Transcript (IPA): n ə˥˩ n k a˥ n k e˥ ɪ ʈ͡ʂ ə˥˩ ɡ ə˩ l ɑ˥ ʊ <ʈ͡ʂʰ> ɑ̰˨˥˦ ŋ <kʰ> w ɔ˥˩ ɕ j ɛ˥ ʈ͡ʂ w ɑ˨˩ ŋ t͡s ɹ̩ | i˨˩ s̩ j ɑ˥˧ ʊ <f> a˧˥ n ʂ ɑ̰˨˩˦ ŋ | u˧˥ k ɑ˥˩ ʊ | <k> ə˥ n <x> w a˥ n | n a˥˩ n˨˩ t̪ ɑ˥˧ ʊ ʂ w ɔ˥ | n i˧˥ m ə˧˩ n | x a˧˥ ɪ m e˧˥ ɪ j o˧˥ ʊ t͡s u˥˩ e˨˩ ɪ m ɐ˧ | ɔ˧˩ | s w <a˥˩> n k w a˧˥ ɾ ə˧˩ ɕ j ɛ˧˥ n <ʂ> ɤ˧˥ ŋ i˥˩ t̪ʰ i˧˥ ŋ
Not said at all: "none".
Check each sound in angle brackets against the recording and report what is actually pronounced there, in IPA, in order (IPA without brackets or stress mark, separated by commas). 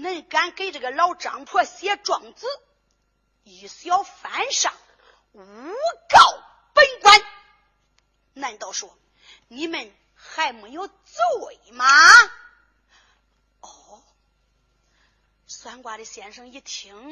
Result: ʈ͡ʂ, pʰ, f, p, k, a˥, ʂ